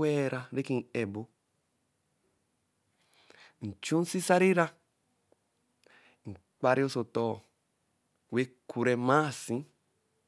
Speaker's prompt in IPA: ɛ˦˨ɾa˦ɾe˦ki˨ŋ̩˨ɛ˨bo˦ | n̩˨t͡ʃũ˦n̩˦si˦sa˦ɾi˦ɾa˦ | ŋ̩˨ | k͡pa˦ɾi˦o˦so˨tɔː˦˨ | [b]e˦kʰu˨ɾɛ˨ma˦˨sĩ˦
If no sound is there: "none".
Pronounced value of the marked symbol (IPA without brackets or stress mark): w